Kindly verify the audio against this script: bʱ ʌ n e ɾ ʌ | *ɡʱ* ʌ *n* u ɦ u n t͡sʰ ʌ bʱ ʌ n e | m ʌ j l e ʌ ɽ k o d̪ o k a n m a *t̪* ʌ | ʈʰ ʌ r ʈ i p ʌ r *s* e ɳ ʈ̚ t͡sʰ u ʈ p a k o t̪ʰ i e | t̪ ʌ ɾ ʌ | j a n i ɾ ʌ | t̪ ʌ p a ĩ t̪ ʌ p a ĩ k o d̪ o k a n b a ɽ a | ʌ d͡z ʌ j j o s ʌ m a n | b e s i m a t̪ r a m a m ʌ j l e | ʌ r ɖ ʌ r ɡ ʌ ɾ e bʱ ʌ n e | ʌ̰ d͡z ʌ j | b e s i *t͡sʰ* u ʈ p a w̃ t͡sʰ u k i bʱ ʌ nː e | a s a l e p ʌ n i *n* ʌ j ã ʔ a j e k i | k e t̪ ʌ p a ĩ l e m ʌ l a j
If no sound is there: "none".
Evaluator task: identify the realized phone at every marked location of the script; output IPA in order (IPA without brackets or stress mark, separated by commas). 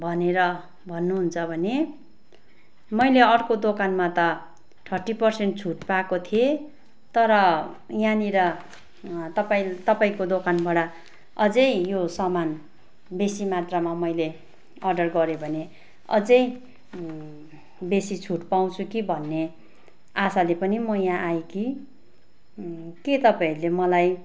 bʱ, nː, t̪, s, t͡sʰ, m